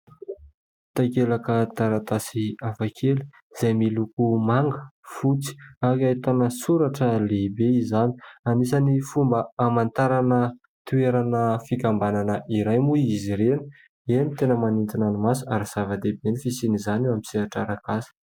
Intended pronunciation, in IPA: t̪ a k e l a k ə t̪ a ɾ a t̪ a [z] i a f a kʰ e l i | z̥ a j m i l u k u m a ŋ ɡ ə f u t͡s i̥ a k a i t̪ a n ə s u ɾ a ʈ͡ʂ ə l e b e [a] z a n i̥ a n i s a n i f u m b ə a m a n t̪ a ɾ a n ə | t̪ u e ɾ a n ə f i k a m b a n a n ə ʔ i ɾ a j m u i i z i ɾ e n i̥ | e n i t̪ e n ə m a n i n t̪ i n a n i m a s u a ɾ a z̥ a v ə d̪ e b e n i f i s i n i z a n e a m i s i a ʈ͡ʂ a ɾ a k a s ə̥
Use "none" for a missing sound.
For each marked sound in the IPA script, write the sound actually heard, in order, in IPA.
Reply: s, i

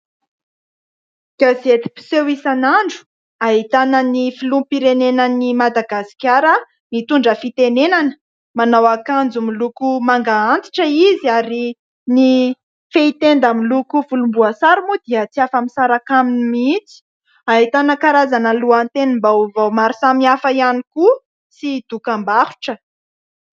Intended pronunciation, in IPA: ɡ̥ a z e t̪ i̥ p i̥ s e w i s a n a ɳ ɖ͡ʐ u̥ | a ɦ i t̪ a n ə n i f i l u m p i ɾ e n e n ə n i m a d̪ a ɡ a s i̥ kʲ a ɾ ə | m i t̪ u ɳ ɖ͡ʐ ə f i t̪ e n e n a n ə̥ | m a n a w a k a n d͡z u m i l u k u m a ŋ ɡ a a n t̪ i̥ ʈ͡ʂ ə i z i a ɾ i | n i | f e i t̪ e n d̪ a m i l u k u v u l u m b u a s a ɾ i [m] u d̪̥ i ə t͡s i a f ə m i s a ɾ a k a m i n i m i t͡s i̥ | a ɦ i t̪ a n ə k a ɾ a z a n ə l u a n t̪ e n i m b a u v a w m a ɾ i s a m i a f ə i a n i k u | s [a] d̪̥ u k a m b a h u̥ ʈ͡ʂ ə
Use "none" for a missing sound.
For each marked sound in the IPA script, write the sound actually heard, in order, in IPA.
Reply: m, i

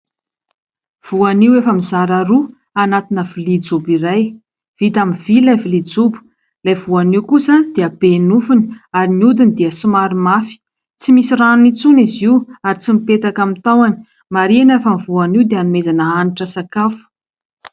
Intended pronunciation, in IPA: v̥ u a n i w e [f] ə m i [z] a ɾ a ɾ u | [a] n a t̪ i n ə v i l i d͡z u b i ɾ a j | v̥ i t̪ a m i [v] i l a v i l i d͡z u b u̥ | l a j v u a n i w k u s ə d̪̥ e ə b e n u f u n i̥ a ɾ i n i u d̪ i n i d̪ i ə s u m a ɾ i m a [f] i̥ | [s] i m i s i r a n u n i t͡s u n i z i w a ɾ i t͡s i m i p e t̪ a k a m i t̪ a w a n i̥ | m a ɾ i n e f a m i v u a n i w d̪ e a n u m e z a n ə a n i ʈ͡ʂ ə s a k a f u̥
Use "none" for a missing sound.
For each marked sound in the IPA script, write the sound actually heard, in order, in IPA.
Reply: f, z, a, v, f, t͡s

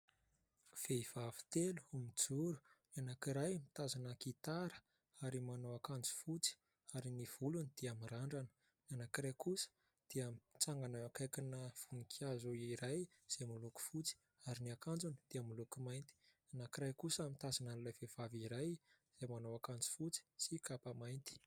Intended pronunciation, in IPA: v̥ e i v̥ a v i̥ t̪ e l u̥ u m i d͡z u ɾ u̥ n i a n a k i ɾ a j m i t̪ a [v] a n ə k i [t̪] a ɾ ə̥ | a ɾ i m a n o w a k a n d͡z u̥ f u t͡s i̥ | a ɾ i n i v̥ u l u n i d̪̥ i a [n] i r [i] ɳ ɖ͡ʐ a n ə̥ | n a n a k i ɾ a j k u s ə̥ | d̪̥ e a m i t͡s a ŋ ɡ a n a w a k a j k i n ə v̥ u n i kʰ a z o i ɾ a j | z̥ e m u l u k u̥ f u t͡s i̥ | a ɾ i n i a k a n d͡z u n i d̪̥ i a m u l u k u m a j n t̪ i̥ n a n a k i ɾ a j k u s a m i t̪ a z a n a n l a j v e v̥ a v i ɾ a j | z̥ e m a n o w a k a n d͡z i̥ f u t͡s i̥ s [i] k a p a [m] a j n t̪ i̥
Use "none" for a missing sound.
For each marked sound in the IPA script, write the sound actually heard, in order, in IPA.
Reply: z, t̪, m, a, i, m

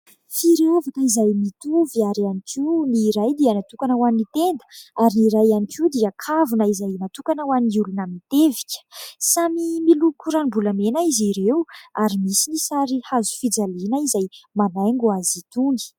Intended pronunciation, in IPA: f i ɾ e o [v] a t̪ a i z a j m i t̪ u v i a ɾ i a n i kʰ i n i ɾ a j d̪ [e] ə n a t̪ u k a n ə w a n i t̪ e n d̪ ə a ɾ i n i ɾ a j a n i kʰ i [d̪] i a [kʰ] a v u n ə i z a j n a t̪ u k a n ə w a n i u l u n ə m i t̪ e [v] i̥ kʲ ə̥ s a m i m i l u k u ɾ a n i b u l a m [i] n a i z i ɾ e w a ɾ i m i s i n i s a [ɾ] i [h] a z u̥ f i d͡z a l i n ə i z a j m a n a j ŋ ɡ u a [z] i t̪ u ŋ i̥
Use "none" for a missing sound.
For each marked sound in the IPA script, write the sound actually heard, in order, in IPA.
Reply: v, i, d̪, kʰ, v, e, ɾ, h, z

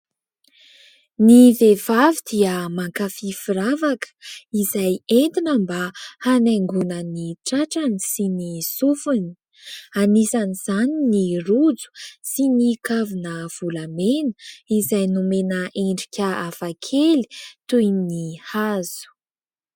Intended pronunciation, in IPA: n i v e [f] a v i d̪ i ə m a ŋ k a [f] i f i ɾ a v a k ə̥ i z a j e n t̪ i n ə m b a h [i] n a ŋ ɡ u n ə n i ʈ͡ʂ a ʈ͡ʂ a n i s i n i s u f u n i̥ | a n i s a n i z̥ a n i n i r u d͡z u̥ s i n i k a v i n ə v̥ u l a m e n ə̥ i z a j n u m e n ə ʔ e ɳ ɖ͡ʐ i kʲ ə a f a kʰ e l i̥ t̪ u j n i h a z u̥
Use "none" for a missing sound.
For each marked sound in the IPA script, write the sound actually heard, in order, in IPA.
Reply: v, f, a

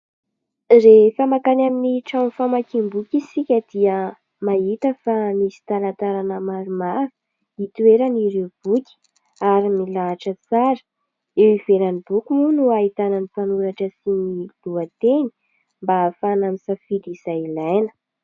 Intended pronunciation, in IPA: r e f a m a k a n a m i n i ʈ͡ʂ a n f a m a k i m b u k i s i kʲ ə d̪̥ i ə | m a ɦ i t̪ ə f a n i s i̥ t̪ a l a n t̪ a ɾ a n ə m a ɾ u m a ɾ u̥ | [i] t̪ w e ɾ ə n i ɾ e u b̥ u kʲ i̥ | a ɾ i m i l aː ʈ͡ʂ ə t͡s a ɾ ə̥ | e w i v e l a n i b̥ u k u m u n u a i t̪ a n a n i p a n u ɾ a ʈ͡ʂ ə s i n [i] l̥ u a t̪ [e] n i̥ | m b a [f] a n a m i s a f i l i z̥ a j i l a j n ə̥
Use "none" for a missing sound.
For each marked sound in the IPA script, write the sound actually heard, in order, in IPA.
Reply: i, i, e, f

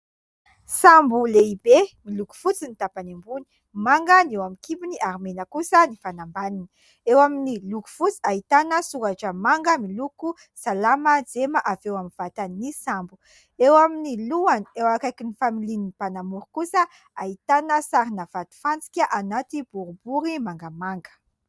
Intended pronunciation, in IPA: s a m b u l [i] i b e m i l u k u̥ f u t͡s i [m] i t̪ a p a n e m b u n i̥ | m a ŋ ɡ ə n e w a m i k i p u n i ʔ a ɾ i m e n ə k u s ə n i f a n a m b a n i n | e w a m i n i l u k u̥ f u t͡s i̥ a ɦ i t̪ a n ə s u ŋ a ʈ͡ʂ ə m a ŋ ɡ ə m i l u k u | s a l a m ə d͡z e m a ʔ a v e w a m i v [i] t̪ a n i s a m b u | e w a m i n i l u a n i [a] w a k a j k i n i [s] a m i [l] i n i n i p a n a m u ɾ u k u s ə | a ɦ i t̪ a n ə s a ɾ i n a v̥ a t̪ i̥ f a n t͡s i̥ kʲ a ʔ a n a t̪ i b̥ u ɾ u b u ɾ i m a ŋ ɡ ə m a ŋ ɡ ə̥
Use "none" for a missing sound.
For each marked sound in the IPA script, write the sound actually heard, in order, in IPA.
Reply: e, n, a, e, f, l

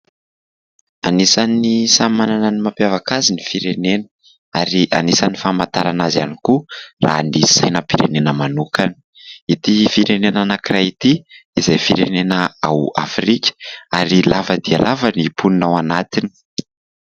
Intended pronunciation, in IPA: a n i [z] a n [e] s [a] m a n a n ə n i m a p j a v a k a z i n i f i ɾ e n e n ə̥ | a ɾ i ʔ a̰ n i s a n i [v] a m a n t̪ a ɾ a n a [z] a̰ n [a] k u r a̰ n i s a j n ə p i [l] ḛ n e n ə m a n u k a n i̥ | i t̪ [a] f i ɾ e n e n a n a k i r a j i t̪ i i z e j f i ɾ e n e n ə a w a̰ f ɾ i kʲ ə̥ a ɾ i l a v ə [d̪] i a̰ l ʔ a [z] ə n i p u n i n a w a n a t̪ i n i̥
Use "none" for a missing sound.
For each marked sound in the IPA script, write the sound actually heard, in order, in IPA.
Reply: s, i, a, f, z, i, ɾ, i, d̪, v

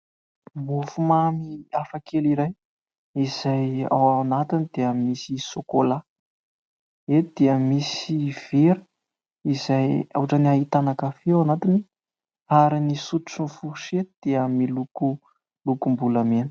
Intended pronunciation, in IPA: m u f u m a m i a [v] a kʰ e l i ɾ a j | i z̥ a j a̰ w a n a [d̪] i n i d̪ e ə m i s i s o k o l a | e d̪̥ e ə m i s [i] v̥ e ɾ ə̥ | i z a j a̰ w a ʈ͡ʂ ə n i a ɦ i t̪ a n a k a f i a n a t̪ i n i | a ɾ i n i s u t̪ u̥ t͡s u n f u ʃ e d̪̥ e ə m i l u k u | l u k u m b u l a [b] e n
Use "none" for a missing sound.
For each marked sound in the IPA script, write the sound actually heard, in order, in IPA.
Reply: f, t̪, i, m

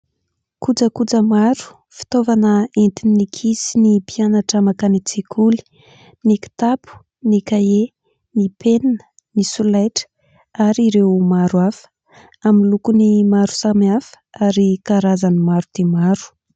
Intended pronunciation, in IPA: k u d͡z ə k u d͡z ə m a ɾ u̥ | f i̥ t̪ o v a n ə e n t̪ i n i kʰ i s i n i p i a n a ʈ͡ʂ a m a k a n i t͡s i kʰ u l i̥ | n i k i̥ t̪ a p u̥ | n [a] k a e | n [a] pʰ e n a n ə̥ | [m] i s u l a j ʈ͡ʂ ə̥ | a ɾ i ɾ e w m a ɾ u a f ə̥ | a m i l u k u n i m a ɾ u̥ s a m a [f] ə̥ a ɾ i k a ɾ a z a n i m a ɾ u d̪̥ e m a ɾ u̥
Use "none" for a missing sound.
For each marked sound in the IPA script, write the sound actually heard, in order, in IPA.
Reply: i, i, n, f

